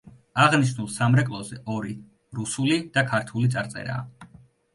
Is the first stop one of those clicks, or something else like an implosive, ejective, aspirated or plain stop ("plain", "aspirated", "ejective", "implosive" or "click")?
ejective